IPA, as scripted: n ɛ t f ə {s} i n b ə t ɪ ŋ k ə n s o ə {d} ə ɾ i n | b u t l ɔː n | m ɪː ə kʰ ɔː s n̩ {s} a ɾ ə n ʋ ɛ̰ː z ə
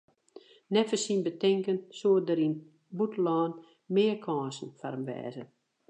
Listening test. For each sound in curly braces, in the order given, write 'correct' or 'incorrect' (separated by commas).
correct, correct, incorrect